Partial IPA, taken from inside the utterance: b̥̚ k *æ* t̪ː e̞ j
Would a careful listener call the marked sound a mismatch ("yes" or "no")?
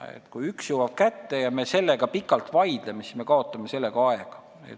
no